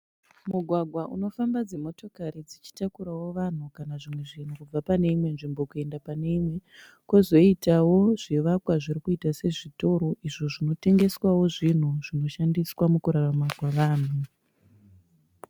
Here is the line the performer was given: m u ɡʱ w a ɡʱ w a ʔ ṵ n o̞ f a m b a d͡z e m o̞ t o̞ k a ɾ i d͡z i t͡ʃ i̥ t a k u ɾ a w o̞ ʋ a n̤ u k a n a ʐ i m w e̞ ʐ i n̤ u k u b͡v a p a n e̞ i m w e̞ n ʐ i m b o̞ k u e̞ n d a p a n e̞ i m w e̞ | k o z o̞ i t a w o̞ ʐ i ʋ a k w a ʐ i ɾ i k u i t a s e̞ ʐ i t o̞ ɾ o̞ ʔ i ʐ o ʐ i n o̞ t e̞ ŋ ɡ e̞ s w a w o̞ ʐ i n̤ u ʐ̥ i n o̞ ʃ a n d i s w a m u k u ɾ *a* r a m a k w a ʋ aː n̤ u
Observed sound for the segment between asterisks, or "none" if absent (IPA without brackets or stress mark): a